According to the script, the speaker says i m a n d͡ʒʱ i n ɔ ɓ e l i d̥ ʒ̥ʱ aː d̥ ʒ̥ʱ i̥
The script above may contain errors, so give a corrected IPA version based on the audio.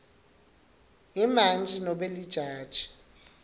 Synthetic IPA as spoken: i m a n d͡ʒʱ i n ɔ ɓ e l i d̥ ʒ̥ʱ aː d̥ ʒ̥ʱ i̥